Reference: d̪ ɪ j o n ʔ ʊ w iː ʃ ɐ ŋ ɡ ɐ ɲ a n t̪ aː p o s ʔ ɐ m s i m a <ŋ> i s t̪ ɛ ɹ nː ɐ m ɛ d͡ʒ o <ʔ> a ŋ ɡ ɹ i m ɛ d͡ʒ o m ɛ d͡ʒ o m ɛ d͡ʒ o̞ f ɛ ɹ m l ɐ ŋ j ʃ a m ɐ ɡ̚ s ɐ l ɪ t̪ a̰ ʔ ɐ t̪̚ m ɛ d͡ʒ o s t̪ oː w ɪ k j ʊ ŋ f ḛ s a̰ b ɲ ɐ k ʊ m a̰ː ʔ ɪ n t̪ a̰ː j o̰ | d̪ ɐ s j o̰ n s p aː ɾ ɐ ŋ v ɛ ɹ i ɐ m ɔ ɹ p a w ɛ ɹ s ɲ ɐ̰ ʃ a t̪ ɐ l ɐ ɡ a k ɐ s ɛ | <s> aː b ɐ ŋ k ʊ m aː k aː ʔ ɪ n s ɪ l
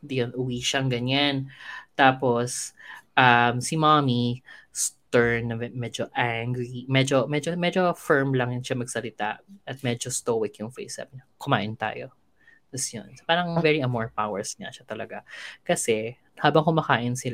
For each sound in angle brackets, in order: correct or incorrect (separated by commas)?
incorrect, correct, incorrect